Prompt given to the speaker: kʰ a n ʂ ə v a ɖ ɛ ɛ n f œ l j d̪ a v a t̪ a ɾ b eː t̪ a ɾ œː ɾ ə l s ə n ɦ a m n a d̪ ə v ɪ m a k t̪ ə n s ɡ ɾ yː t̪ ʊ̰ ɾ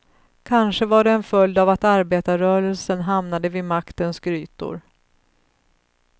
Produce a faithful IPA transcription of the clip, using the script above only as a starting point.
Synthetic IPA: kʰ a n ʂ ə v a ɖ ɛ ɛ n f œ l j d̪ a v a t̪ a ɾ b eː t̪ a ɾ œː ɾ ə l s ə n ɦ a m n a d̪ ə v ɪ m a k t̪ ə n s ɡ ɾ yː t̪ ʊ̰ ɾ